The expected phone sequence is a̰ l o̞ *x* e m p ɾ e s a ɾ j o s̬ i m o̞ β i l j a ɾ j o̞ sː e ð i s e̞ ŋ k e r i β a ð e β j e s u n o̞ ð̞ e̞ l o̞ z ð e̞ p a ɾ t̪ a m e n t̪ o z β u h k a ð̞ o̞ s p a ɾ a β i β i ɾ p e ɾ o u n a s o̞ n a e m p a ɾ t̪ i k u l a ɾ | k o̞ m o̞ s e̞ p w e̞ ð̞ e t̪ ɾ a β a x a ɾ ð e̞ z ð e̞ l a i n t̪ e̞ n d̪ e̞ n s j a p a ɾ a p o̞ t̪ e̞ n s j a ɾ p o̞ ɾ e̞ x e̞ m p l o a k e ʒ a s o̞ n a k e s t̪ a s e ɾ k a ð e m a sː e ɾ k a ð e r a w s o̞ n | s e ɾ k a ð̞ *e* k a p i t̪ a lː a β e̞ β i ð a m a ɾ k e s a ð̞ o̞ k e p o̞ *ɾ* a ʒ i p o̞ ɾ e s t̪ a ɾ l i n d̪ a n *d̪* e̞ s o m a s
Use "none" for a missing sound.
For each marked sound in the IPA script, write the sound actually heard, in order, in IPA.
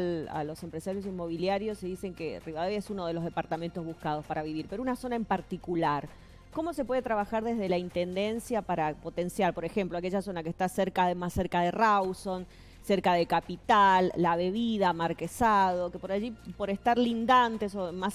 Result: s, e, ɾ, t̪

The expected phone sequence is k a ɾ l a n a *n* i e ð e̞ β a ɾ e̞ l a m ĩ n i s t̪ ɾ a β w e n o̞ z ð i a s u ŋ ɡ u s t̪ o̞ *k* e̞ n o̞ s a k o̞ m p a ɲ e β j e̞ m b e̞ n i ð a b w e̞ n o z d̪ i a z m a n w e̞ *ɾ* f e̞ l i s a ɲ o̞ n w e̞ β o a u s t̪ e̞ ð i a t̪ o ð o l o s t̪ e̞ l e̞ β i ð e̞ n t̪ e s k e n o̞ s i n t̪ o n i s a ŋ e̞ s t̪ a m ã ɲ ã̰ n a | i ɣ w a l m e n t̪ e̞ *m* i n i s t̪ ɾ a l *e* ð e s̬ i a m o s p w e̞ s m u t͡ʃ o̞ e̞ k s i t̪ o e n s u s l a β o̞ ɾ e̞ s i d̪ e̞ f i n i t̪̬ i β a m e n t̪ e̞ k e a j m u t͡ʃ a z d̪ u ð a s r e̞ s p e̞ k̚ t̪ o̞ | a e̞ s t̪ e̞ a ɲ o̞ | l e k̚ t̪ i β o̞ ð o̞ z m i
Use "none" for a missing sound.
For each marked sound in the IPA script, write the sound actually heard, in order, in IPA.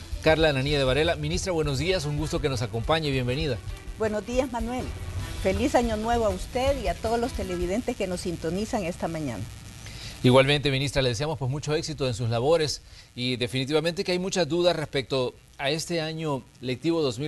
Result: n, k, l, m, e

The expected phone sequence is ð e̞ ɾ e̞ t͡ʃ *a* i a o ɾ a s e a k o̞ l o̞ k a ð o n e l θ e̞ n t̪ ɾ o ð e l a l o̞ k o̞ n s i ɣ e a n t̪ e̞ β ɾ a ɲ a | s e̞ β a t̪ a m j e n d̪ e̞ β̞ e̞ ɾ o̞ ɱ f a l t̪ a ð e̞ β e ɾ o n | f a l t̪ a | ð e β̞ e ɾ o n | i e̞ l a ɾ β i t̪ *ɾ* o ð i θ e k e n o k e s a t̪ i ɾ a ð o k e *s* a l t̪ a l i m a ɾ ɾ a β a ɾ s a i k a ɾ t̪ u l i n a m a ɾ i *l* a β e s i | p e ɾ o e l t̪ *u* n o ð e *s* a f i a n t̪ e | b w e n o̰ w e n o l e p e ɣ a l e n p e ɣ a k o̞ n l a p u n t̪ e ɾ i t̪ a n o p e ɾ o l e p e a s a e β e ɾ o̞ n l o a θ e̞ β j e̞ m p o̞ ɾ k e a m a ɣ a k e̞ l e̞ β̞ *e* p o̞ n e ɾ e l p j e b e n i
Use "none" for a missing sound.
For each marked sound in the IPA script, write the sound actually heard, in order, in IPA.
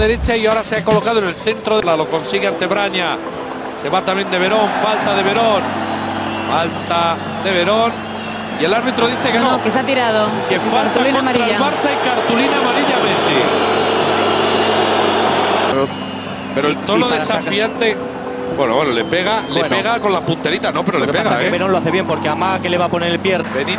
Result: a, ɾ, f, ʎ, o, s, a

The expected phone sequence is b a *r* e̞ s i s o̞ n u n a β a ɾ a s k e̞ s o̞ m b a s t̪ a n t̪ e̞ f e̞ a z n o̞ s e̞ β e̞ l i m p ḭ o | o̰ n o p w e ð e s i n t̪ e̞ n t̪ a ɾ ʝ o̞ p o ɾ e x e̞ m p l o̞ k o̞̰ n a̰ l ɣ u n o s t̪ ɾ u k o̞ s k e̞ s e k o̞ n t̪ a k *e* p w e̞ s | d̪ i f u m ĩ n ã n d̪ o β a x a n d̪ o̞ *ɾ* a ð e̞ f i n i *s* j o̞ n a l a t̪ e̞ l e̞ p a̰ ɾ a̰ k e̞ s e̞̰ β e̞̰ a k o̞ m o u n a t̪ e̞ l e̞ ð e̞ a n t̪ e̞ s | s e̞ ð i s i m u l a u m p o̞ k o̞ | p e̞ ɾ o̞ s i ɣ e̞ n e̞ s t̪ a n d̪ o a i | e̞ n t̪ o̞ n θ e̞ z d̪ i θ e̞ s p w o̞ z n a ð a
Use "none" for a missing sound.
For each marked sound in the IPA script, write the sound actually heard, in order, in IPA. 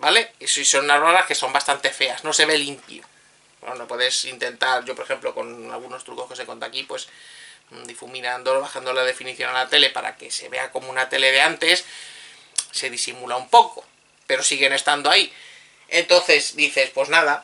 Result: l, i, l, θ

